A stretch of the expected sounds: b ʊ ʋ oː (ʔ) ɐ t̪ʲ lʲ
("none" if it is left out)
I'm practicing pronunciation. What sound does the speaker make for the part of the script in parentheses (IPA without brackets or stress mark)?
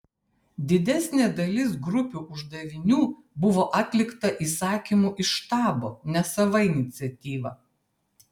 ʔ